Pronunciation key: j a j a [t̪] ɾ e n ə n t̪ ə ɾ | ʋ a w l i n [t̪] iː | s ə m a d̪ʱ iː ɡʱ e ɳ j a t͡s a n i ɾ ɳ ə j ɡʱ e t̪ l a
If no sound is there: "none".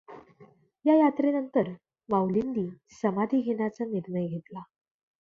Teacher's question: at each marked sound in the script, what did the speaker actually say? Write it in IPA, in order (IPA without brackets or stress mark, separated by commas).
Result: t̪, d̪